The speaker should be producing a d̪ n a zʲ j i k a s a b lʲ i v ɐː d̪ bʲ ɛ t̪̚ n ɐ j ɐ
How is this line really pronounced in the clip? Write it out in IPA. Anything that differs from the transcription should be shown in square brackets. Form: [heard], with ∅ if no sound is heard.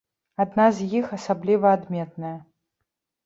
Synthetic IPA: a d̪ n a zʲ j i [x] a s a b lʲ i v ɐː d̪ [mʲ] ɛ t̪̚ n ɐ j ɐ

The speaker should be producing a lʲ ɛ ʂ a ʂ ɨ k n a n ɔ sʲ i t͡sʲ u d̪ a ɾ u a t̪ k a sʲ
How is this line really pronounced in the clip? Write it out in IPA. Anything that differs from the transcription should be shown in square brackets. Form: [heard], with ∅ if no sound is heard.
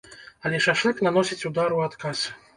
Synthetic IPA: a lʲ ɛ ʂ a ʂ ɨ k n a n ɔ sʲ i t͡sʲ u d̪ a ɾ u a t̪ k a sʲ

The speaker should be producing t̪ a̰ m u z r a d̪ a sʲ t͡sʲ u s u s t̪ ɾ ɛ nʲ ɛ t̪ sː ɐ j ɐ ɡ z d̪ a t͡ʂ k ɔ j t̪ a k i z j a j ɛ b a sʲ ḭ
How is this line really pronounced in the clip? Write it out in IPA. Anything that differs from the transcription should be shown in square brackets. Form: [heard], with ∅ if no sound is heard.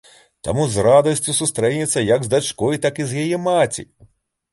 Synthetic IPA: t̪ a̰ m u z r a d̪ [ɐ] sʲ t͡sʲ u s u s t̪ ɾ ɛ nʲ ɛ t̪ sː ɐ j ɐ ɡ z d̪ a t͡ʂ k ɔ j t̪ a k i z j a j ɛ [m] a [t͡sʲ] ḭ

